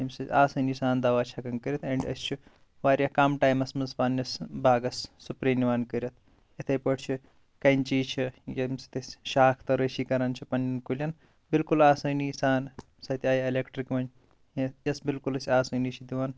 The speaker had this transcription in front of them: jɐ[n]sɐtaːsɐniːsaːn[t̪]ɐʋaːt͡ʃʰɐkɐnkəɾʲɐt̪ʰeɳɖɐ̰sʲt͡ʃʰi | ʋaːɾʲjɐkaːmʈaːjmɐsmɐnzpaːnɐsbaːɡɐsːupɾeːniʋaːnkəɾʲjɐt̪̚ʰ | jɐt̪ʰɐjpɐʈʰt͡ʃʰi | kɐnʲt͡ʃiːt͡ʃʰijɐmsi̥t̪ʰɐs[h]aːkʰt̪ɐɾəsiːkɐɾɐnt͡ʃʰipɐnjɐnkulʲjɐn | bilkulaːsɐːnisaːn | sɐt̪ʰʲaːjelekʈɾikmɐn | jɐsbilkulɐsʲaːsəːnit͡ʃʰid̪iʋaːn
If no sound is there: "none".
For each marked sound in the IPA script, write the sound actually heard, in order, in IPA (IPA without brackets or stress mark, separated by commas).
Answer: m, d̪, ʃ